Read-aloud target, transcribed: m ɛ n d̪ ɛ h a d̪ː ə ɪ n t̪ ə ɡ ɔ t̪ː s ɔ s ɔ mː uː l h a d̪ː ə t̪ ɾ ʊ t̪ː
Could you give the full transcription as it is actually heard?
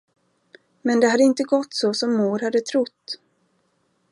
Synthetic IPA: m ɛ n d̪ ɛ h a d̪ː ə ɪ n t̪ ə ɡ ɔ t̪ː s ɔ s ɔ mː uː ɾ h a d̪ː ə t̪ʰ ɾ ʊ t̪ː